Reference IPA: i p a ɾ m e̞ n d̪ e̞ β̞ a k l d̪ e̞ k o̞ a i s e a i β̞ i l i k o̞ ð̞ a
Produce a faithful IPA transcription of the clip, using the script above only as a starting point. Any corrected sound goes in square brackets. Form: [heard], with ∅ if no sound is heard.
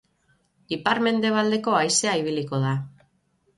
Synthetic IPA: i p a ɾ m e̞ n d̪ e̞ β̞ a [∅] l d̪ e̞ k o̞ a [j] s e a i β̞ i l i k o̞ ð̞ a